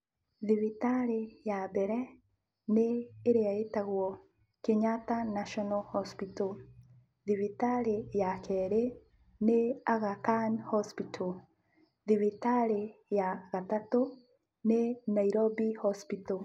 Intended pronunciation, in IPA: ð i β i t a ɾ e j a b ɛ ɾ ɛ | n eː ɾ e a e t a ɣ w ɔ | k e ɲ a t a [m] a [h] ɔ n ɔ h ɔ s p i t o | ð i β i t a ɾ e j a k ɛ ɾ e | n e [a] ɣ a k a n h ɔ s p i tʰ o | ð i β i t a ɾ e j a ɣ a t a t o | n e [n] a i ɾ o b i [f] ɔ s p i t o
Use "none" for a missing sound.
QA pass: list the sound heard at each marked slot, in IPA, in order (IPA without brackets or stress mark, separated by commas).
n, ʃ, a, n, h